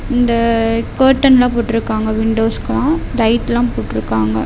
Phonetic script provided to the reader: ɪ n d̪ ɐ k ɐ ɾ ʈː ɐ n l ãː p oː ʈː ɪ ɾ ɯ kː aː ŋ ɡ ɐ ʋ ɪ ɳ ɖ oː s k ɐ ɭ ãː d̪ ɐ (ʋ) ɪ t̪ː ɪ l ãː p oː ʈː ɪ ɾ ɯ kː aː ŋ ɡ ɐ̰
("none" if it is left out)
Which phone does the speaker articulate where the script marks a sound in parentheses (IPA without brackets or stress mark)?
none